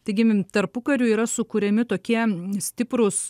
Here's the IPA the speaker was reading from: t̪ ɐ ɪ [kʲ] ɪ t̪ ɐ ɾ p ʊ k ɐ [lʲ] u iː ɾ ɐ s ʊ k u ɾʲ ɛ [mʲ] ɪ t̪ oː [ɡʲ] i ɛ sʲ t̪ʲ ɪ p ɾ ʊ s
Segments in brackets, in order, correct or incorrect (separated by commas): incorrect, incorrect, correct, incorrect